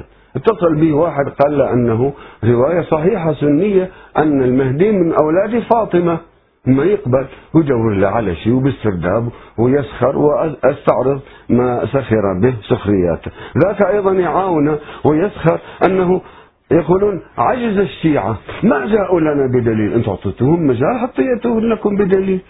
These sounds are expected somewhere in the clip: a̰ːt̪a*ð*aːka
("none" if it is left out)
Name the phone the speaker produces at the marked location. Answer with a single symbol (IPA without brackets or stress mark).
ð